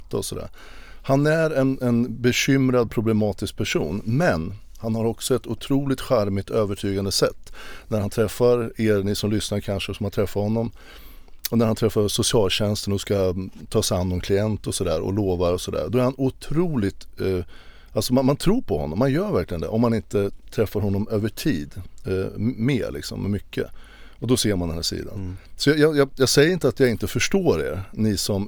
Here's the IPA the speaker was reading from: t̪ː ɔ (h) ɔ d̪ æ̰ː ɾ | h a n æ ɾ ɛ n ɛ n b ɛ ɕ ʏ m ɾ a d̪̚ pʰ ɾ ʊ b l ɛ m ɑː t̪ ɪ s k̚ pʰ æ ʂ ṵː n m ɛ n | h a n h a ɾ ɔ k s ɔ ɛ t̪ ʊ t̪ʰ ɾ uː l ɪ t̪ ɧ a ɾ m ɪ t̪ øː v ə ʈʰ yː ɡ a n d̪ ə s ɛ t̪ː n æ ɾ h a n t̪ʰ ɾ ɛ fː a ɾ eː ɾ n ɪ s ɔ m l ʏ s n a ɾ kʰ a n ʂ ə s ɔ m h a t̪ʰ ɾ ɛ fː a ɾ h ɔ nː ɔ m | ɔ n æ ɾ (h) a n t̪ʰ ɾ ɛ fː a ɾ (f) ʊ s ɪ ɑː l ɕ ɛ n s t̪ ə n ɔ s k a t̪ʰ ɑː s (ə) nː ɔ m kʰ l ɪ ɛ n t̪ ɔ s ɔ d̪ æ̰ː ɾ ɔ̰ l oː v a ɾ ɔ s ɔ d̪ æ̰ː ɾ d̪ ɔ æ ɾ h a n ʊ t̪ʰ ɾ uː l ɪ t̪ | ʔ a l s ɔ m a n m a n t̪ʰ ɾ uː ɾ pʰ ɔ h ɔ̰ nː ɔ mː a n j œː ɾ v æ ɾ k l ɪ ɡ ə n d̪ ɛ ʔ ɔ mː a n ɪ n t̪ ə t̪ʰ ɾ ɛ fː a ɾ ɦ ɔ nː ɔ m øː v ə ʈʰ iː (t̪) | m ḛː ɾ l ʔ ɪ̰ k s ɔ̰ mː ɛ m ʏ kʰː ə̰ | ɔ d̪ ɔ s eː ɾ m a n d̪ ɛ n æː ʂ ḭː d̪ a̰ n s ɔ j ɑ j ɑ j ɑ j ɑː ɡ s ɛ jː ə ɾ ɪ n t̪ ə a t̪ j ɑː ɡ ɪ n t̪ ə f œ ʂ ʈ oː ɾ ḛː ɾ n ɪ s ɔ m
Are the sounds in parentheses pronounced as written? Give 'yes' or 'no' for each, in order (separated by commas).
no, yes, no, no, no